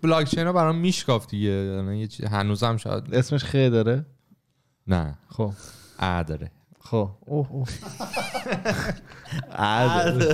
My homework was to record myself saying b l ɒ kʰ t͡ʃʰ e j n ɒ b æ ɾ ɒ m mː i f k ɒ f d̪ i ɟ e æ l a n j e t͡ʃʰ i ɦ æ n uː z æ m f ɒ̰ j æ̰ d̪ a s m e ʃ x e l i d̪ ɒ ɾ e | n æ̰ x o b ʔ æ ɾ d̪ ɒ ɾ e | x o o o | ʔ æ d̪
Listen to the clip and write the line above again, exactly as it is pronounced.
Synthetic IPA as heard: b l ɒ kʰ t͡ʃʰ e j n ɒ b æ ɾ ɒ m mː i ʃ k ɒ f d̪ i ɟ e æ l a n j e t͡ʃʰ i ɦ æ n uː z æ m ʃ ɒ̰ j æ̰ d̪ e s m e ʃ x e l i d̪ ɒ ɾ e | n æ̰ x o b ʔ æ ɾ d̪ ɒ ɾ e | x o o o | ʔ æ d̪